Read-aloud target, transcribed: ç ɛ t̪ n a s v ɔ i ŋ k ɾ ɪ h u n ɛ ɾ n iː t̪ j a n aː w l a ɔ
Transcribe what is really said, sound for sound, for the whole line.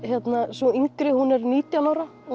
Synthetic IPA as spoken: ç ɛ t̪ n a s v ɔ i ŋ k ɾ ɪ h u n ɛ ɾ n iː t̪ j a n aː w ɾ a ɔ